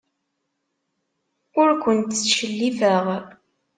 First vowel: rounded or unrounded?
rounded